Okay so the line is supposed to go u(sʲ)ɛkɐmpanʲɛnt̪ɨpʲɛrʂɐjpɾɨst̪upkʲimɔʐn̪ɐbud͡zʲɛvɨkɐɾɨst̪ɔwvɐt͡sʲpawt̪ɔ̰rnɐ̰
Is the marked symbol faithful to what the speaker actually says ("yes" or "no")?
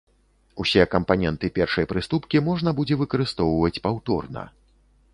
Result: yes